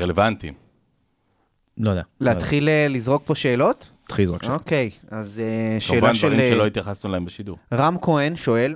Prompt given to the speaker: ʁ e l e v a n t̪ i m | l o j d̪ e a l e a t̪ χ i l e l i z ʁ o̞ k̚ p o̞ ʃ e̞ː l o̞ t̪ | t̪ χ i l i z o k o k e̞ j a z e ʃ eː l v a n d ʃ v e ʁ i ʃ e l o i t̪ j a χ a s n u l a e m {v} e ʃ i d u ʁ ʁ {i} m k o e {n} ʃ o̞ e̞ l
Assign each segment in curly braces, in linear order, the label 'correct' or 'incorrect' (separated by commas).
incorrect, incorrect, correct